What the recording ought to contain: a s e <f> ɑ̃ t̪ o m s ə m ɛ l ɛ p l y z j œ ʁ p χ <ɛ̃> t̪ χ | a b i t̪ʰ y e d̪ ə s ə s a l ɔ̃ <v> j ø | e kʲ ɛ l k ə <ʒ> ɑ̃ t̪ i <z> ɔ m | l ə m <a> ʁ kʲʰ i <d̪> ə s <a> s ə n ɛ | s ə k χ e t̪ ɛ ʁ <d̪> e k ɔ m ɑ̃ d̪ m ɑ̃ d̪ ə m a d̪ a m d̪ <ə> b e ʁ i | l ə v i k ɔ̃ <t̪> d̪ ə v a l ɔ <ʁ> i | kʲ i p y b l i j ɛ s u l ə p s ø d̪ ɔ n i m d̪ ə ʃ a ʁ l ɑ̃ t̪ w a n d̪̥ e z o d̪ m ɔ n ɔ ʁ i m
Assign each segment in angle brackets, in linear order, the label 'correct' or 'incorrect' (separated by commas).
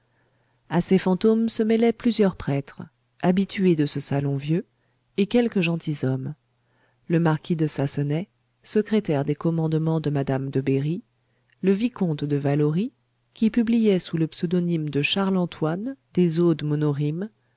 correct, incorrect, correct, correct, correct, correct, correct, correct, correct, correct, correct, correct